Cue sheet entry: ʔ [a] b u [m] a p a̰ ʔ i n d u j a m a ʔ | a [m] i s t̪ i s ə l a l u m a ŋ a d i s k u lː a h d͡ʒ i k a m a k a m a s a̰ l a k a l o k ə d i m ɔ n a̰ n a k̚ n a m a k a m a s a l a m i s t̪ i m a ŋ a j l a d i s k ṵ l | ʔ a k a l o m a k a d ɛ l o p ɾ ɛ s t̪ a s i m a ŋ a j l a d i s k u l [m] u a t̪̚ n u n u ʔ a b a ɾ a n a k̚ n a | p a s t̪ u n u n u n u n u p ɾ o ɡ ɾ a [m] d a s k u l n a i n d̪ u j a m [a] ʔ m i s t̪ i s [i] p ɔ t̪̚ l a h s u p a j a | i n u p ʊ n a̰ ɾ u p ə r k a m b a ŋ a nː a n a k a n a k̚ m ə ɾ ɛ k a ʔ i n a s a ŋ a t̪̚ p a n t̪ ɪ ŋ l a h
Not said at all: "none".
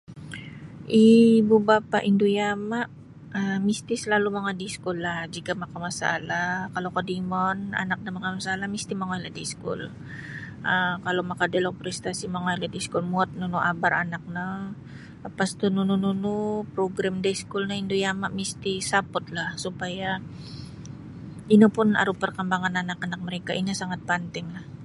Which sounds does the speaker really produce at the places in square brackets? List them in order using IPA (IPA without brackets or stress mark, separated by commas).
i, b, m, m, m, a, a